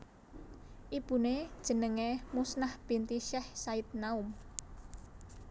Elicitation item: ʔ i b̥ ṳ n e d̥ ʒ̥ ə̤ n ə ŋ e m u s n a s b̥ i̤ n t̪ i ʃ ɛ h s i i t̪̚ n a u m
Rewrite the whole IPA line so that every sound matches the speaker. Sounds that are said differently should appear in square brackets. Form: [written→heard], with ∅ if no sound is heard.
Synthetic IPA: ʔ i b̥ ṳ n e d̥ ʒ̥ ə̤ n ə ŋ e m u s n a [s→h] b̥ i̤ n t̪ i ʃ ɛ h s [i→a] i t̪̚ n a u m